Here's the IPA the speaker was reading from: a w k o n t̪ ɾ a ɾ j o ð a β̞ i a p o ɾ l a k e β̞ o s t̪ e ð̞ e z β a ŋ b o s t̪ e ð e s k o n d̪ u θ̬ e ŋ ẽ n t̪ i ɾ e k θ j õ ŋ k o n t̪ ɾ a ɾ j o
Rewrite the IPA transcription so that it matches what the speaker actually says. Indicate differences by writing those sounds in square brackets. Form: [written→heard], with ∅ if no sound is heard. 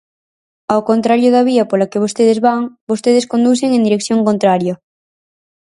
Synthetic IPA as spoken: a w k o n t̪ ɾ a ɾ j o ð a β̞ i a p o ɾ l a k e β̞ o s t̪ e ð̞ e z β a ŋ b o s t̪ e ð e s k o n d̪ u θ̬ e ŋ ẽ n [t̪→d̪] i ɾ e k θ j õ ŋ k o n t̪ ɾ a ɾ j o

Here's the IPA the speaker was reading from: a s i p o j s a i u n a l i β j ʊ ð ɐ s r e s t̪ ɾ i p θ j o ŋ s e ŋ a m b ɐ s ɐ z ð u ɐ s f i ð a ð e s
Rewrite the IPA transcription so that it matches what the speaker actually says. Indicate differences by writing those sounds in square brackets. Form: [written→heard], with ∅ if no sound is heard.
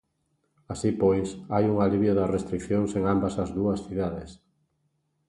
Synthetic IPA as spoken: a s i p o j s a [i→j] u [n→ŋ] a l i β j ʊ ð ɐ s r e s t̪ ɾ i [p→k] θ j o ŋ s e ŋ a m b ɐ s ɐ z ð u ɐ s [f→θ] i ð a ð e s

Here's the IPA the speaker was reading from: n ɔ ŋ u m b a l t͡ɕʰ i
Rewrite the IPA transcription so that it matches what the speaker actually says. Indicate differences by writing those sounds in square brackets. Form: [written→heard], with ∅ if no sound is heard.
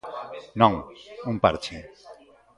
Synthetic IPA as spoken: n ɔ ŋ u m [b→p] a [l→ɾ] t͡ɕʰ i

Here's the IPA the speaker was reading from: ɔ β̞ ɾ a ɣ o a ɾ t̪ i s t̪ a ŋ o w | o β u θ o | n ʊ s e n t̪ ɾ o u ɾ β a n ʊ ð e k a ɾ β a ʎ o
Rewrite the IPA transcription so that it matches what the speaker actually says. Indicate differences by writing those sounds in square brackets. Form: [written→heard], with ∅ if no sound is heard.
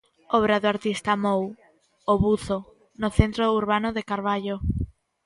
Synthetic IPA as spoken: ɔ β̞ ɾ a [ɣ→ð] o a ɾ t̪ i s t̪ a [ŋ→m] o w | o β u θ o | n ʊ [s→θ] e n t̪ ɾ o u ɾ β a n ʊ ð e k a ɾ β a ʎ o

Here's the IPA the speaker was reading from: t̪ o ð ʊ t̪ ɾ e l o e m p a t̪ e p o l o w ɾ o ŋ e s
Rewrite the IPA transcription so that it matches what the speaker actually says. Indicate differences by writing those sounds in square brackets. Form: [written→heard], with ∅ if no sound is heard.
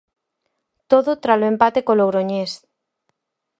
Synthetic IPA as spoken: t̪ o ð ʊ t̪ ɾ [e→a] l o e m p a t̪ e [p→k] o l o w ɾ o [ŋ→ɲ] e s

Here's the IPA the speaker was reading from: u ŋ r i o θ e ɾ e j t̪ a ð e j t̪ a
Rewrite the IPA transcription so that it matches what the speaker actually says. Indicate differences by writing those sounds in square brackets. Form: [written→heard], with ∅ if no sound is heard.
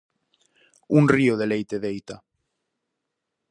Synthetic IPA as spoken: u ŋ r i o [θ→ð] e [ɾ→l] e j t̪ [a→e] ð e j t̪ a

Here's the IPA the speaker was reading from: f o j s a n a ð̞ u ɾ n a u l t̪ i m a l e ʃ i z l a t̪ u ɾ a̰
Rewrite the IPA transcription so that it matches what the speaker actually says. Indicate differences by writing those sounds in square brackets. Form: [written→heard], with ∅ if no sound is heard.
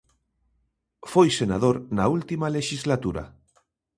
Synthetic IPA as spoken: f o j s [a→e] n a ð̞ [u→o] ɾ n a u l t̪ i m a l e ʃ i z l a t̪ u ɾ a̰

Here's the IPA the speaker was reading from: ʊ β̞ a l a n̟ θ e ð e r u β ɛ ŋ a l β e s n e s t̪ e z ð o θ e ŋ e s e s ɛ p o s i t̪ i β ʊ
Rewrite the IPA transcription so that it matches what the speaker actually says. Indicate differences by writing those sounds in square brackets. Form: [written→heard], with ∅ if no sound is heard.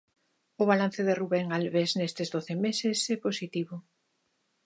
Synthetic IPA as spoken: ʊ β̞ a l a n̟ θ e ð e r u β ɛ ŋ a l β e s n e s t̪ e z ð o θ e [ŋ→m] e s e s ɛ p o s i t̪ i β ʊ

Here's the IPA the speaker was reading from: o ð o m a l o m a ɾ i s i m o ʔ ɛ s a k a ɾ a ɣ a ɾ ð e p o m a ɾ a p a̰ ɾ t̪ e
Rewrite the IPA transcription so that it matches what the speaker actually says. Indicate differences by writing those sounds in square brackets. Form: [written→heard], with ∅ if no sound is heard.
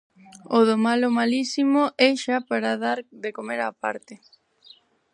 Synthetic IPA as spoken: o ð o m a l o m a [ɾ→l] i s i m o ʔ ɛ [s→ʃ] a [k→p] a ɾ a [ɣ→ð] a ɾ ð e [p→k] o m [a→e] ɾ a p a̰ ɾ t̪ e

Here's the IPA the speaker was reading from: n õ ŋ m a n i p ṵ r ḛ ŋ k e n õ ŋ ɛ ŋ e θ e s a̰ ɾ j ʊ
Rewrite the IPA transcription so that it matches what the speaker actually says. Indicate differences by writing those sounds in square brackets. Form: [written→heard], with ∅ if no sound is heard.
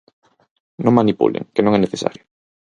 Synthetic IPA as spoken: n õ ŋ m a n i p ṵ [r→l] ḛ ŋ k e n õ ŋ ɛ [ŋ→n] e θ e s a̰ ɾ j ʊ

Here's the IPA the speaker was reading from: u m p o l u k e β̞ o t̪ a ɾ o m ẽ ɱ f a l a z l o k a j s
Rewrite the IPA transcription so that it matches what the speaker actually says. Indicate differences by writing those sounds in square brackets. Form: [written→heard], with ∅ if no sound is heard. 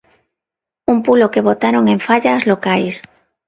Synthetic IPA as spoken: u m p [o→u] l [u→o] k e β̞ o t̪ a ɾ o [m→ŋ] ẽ ɱ f a [l→ʎ] a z l o k a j s

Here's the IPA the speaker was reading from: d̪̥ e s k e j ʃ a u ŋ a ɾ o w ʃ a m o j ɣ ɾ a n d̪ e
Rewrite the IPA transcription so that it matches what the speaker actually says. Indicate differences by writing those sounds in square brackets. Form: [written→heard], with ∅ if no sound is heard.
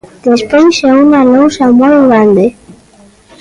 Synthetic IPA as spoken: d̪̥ e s [k→p] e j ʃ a u [ŋ→n] a [ɾ→l] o w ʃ a m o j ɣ ɾ a n d̪ e

